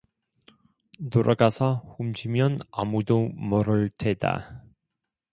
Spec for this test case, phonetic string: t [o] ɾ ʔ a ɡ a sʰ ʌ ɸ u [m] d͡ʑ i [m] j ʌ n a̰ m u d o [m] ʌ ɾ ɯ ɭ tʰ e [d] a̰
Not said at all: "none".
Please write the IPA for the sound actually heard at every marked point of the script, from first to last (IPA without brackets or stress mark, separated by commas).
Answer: o, m, m, m, d